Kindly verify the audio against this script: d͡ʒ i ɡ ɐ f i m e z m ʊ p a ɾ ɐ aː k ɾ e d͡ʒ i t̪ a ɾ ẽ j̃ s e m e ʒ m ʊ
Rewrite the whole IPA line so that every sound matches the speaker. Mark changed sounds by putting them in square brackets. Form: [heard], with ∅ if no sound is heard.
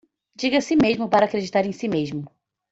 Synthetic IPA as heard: d͡ʒ i ɡ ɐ [s] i m e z m ʊ p a ɾ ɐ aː k ɾ e d͡ʒ i t̪ a ɾ ẽ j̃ s [i] m e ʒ m ʊ

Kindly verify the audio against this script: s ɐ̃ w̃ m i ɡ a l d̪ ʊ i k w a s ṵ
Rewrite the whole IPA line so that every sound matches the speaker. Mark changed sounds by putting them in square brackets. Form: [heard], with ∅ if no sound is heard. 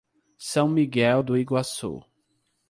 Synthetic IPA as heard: s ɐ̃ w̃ m i ɡ [ɛ] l d̪ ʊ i [ɡ] w a s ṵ

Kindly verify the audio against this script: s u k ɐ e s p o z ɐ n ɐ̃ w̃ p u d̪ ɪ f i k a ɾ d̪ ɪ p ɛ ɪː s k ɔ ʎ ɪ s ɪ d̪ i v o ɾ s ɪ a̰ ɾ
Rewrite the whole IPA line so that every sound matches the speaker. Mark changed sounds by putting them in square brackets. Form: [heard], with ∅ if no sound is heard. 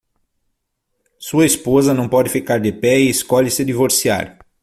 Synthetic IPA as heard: s u [∅] ɐ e s p o z ɐ n ɐ̃ w̃ p [ɔ] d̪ ɪ f i k a ɾ d̪ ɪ p ɛ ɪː s k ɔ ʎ ɪ s ɪ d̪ i v o ɾ s [i] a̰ ɾ

